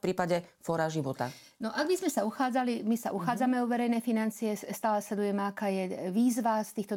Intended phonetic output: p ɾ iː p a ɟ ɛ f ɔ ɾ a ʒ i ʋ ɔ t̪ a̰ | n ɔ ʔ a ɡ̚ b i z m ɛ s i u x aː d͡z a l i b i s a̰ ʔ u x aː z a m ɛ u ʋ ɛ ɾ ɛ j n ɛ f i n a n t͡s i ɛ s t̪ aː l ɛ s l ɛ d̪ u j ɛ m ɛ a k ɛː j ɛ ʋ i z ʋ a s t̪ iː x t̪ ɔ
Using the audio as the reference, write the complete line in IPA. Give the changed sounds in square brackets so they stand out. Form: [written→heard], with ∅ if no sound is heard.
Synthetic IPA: p ɾ iː p a ɟ ɛ f ɔ ɾ a ʒ i ʋ ɔ t̪ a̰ | n ɔ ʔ a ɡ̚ b i z m ɛ s [i→a] u x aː d͡z a l i [b→m] i s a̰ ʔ u x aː [z→d͡z] a m ɛ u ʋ ɛ ɾ ɛ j n ɛ f i n a n t͡s i ɛ s t̪ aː l ɛ s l ɛ d̪ u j ɛ m ɛ a k [ɛː→aː] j ɛ ʋ [i→iː] z ʋ a s t̪ iː x t̪ ɔ